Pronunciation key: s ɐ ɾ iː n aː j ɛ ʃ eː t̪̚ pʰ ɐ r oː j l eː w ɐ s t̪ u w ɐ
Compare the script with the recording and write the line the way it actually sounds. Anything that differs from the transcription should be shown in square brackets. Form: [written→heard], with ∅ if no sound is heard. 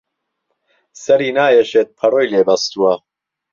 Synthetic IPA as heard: s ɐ ɾ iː n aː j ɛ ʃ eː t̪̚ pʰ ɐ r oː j l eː [w→b] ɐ s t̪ u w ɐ